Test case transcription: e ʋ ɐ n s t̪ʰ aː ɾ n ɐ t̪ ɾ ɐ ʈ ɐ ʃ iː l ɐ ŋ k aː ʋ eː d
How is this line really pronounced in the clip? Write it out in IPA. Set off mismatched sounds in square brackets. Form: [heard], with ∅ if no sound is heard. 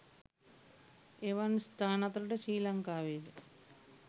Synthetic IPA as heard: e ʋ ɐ n s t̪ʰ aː [∅] n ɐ t̪ ɾ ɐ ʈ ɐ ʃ iː l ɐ ŋ k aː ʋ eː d